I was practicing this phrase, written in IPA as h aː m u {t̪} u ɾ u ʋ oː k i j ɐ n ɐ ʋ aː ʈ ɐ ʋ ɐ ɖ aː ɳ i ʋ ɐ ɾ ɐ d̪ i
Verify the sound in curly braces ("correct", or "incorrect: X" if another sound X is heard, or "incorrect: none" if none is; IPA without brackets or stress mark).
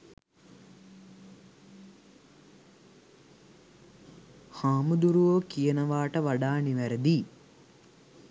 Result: incorrect: d̪